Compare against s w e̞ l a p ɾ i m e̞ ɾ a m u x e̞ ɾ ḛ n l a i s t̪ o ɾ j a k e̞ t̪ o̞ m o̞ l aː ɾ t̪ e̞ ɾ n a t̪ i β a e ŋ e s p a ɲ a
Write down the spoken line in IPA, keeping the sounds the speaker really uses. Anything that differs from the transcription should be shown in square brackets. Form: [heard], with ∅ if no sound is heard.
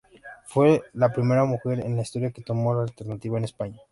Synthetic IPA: [f] w e̞ l a p ɾ i m e̞ ɾ a m u x e̞ ɾ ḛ n l a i s t̪ o ɾ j a k e̞ t̪ o̞ m o̞ l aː [l] t̪ e̞ ɾ n a t̪ i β a e [n] e s p a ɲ a